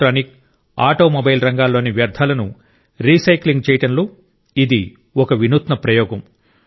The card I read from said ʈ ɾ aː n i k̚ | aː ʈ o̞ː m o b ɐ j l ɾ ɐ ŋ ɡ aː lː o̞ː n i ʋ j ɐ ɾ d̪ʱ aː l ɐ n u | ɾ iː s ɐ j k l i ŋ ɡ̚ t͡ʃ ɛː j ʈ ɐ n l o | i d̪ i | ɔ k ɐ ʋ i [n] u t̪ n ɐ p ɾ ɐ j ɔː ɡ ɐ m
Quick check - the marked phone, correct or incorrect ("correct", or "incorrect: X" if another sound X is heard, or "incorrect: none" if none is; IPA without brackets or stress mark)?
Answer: correct